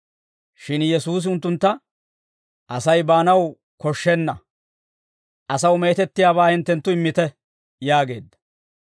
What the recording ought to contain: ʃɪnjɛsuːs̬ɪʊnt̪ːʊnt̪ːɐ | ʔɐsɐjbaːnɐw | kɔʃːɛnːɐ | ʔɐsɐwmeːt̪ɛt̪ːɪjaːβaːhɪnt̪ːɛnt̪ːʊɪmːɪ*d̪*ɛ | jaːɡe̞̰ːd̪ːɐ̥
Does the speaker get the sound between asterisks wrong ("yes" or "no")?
yes